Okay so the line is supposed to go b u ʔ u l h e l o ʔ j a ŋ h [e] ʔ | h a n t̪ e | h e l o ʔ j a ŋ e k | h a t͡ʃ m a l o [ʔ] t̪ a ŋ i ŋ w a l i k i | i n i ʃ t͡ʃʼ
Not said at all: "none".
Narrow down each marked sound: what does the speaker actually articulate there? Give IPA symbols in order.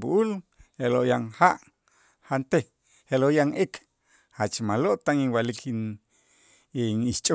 a, ʔ

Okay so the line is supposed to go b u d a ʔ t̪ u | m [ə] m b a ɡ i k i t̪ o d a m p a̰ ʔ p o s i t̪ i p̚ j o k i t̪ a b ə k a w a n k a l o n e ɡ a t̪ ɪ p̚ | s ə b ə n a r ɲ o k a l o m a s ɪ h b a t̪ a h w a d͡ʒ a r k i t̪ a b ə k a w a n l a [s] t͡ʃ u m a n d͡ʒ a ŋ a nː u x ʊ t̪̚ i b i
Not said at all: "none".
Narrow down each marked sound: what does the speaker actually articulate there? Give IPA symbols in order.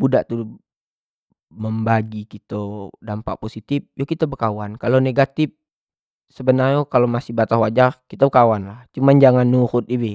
ə, h

